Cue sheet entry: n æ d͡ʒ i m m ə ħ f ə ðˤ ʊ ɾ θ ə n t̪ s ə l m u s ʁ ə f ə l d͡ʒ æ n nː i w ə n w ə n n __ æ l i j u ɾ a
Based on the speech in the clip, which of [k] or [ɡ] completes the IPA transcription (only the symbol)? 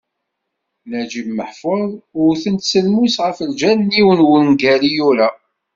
ɡ